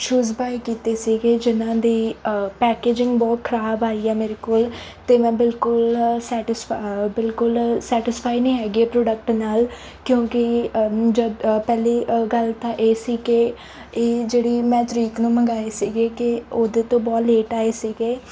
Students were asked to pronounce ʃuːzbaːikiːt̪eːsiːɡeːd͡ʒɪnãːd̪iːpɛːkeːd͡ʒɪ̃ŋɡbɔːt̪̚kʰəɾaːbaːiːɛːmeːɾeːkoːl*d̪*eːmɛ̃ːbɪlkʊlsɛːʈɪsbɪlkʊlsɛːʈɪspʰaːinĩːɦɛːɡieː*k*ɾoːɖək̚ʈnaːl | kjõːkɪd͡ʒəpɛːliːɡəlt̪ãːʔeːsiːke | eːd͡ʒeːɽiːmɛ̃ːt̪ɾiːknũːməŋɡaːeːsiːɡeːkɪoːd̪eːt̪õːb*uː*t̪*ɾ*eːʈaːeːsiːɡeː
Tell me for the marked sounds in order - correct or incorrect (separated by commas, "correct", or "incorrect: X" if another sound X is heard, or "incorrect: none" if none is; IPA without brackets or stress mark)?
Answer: incorrect: t̪, incorrect: p, incorrect: ɔː, incorrect: l